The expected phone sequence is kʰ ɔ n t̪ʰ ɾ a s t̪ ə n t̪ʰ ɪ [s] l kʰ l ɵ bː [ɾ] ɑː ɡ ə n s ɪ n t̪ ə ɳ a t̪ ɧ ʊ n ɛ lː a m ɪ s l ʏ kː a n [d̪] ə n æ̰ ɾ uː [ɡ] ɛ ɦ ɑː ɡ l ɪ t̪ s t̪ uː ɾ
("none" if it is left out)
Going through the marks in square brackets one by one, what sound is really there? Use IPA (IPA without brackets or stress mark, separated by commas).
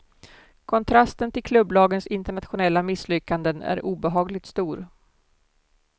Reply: none, l, d̪, b